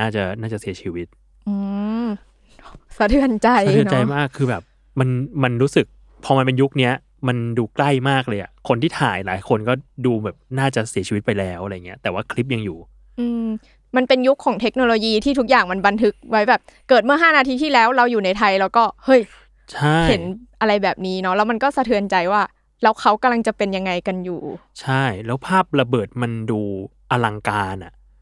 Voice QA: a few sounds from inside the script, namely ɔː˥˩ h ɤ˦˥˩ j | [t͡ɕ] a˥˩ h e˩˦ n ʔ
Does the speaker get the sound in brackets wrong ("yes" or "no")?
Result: yes